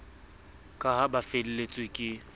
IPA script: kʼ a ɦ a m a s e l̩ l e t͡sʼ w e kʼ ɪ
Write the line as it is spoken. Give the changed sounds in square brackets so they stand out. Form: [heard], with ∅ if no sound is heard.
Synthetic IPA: kʼ a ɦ a [b] a [f] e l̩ l e t͡sʼ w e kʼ ɪ